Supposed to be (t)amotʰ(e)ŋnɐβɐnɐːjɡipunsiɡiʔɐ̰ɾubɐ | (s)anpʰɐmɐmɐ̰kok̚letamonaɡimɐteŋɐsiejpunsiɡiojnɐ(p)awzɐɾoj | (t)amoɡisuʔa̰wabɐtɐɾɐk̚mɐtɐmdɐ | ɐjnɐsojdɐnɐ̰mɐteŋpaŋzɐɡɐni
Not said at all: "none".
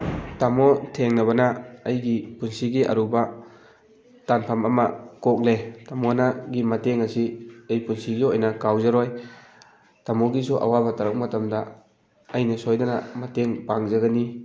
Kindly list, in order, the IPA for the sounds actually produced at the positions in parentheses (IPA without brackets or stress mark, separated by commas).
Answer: t, e, t, k, t